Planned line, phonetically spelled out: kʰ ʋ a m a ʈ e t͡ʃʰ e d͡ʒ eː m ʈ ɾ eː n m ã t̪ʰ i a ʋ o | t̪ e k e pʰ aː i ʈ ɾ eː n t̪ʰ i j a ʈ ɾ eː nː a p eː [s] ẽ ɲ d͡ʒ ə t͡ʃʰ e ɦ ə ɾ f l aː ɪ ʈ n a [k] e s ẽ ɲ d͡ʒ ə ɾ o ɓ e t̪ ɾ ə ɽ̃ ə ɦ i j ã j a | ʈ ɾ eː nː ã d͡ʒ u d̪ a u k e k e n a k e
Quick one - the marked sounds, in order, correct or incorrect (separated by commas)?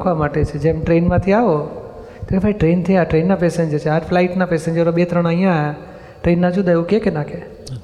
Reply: correct, incorrect